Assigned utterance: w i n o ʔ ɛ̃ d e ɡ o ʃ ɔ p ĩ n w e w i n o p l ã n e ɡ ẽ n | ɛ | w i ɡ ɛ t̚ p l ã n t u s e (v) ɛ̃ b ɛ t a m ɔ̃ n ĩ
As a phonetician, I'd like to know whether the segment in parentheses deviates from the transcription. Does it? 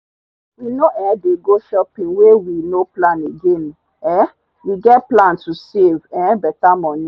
no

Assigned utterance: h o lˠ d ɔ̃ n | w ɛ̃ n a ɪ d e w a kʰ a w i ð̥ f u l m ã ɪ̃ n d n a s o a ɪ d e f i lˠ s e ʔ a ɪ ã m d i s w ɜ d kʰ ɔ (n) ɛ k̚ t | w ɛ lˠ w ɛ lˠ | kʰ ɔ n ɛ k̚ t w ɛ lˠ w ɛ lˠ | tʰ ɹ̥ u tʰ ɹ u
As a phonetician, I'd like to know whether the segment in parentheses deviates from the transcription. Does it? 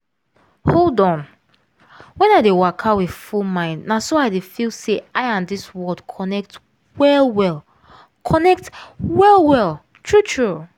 no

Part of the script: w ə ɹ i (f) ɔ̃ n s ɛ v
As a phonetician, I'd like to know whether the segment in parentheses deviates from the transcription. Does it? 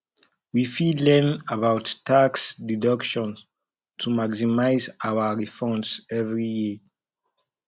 no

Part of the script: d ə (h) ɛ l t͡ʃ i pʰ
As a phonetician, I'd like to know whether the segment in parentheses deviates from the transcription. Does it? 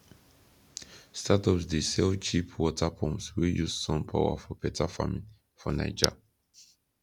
yes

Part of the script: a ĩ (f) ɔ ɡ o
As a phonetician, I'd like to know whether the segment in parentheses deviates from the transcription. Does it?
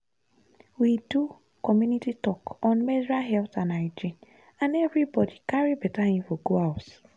no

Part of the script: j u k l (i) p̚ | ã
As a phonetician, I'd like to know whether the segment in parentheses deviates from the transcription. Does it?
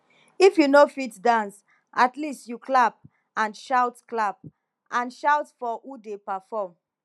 yes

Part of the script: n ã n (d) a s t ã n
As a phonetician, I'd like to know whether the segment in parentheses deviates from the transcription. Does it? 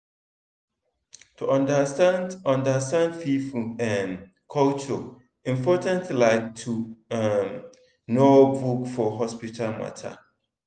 no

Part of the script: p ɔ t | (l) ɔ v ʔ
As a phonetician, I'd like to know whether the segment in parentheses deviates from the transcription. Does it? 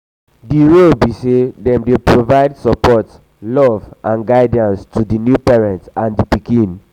no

